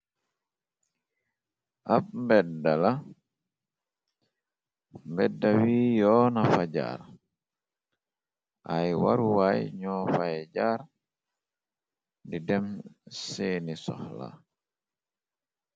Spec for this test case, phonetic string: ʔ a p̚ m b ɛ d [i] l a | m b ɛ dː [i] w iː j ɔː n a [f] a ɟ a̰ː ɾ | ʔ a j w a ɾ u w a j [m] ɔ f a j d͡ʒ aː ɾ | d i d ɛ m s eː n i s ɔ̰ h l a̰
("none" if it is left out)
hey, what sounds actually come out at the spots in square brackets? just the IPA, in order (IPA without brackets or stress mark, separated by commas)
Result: a, a, f, ɲ